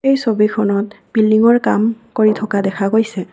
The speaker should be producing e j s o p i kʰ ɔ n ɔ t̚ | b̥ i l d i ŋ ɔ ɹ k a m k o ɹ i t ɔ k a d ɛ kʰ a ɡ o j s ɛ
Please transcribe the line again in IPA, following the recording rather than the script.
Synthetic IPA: e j s o b i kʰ ɔ n ɔ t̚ | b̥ i l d i ŋ ɔ ɹ k a m k o ɹ i tʰ ɔ k a d ɛ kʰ a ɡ o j s ɛ